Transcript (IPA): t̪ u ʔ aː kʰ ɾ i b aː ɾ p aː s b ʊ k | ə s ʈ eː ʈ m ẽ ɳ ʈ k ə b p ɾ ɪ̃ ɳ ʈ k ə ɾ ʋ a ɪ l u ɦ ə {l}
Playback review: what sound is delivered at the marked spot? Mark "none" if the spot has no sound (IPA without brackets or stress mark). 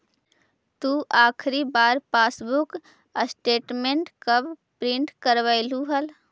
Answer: l